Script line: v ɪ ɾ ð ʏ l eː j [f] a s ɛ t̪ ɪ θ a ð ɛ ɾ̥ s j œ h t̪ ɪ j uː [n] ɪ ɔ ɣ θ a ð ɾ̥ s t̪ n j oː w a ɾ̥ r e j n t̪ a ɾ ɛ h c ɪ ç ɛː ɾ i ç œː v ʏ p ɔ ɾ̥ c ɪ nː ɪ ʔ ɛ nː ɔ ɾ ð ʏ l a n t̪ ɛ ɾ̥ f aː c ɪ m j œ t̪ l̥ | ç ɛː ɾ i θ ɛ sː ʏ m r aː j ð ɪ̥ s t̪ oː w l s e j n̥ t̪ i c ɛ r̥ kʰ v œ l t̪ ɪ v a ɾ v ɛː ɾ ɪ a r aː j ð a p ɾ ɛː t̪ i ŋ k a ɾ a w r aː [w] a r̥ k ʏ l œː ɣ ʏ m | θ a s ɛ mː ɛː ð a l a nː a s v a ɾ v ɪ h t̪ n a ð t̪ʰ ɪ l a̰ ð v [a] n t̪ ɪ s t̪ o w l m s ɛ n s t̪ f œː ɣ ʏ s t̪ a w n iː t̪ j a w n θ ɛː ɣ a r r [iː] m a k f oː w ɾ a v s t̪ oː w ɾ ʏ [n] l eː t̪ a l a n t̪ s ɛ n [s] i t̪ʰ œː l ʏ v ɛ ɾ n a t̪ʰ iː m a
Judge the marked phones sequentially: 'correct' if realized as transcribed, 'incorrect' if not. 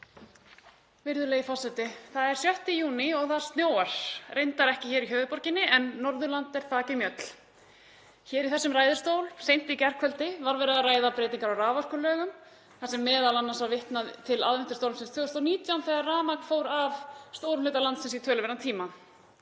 correct, correct, incorrect, incorrect, incorrect, incorrect, correct

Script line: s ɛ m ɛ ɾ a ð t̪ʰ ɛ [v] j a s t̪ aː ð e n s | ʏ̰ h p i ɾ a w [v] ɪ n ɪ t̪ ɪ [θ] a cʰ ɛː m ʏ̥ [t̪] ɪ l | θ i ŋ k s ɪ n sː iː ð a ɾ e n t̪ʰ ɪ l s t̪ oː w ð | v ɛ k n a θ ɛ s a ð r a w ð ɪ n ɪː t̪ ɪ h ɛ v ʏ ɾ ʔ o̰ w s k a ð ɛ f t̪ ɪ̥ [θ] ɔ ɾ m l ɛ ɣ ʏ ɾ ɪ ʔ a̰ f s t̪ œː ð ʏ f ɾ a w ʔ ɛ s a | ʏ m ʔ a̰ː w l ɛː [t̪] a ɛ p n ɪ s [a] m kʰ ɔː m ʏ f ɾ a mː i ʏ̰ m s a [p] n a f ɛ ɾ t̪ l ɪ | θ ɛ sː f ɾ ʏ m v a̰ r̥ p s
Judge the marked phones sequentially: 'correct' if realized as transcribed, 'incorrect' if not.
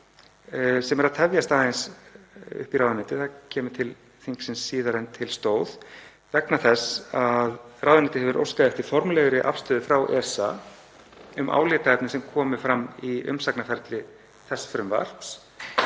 correct, incorrect, correct, incorrect, incorrect, correct, incorrect, incorrect

